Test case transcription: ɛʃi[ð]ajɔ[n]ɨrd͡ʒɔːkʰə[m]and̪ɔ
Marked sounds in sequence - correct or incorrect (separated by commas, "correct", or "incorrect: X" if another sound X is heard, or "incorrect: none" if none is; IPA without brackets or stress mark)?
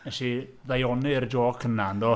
correct, correct, incorrect: n